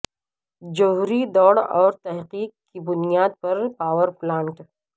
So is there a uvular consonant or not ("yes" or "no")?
yes